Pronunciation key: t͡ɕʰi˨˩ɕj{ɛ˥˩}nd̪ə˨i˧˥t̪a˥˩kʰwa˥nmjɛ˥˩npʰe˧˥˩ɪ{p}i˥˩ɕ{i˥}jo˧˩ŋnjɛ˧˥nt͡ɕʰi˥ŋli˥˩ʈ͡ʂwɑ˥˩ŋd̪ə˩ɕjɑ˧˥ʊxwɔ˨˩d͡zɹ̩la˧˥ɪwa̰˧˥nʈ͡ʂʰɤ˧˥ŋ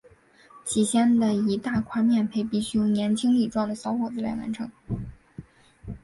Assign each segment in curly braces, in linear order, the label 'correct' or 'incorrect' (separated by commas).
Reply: incorrect, correct, incorrect